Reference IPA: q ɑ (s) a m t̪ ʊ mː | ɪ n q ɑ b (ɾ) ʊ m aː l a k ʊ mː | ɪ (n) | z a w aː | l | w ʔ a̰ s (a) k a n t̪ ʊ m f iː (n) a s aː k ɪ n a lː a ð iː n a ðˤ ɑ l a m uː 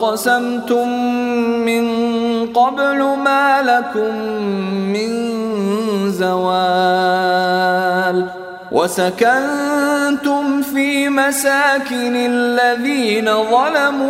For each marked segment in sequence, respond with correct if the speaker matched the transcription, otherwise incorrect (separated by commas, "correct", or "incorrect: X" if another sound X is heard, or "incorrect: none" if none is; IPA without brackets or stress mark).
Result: correct, incorrect: l, correct, correct, incorrect: m